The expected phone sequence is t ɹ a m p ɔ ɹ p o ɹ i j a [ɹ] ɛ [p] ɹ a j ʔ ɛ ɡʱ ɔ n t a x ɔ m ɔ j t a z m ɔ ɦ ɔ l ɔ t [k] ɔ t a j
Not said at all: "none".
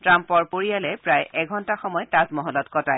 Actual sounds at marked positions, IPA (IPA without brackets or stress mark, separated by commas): l, p, k